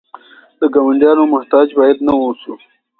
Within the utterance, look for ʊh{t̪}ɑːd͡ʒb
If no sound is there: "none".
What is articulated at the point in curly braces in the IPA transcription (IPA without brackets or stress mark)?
t̪